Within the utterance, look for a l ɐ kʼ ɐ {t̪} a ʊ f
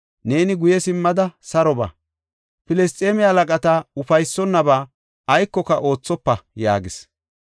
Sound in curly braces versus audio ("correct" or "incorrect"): correct